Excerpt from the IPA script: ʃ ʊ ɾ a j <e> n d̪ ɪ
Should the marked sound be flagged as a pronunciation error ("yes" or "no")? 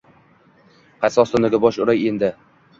no